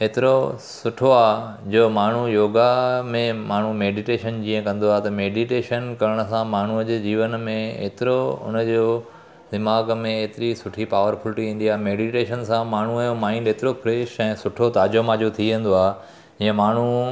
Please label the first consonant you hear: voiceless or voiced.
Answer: voiceless